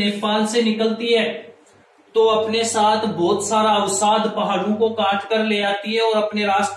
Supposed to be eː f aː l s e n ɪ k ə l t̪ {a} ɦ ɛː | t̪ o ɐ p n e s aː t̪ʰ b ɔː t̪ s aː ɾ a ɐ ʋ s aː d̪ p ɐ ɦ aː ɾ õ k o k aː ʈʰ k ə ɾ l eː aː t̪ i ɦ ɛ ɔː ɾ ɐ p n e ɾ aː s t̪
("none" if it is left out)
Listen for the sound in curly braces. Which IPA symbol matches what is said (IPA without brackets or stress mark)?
i